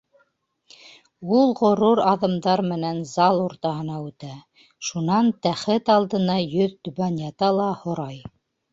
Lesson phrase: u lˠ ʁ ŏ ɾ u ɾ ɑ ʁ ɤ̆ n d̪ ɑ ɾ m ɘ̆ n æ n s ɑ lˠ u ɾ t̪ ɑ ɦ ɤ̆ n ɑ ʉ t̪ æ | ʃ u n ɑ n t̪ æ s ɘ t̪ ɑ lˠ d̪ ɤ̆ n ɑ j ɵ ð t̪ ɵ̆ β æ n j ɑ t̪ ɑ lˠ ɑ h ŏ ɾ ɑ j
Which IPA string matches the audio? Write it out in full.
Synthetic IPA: u lˠ ʁ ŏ ɾ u ɾ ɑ ð ɤ̆ m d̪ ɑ ɾ m ɘ̆ n æ n z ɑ lˠ u ɾ t̪ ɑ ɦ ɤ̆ n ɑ ʉ t̪ æ | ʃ u n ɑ n t̪ æ χ ɘ t̪ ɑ lˠ d̪ ɤ̆ n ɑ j ɵ ð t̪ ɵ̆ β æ n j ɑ t̪ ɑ lˠ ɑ h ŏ ɾ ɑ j